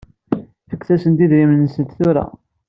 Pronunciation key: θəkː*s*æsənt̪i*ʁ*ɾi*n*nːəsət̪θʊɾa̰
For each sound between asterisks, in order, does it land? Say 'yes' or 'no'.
no, no, no

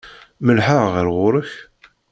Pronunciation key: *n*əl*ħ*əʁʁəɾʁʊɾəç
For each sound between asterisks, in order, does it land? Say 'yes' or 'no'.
no, yes

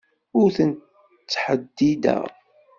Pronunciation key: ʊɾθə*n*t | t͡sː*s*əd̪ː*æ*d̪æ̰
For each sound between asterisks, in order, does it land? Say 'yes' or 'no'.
yes, no, no

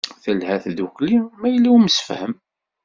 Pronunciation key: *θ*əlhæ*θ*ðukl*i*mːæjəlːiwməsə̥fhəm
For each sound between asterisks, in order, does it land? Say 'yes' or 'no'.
yes, yes, yes

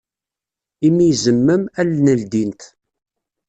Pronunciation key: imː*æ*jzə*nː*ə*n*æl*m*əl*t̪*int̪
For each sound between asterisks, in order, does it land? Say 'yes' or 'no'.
no, no, no, no, no

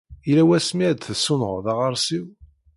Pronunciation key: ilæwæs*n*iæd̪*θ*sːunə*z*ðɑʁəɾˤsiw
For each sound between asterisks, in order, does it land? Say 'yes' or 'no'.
no, yes, no

